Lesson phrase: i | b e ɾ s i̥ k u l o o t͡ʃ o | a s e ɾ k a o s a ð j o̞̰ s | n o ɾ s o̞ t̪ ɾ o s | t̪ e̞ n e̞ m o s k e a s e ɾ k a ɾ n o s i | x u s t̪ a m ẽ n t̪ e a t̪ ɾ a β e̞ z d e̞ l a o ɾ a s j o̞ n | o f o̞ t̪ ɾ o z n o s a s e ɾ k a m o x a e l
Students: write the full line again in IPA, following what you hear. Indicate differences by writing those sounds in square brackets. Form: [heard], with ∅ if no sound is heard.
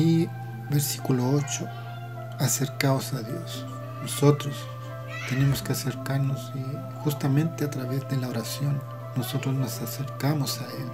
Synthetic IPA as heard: i | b e ɾ s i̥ k u l o o t͡ʃ o | a s e ɾ k a o s a ð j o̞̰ s | n o [∅] s o̞ t̪ ɾ o s | t̪ e̞ n e̞ m o s k e a s e ɾ k a ɾ n o s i | x u s t̪ a m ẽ n t̪ e a t̪ ɾ a β e̞ z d e̞ l a o ɾ a s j o̞ [nː] | o [s] o̞ t̪ ɾ o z n o s a s e ɾ k a m o [s] a e l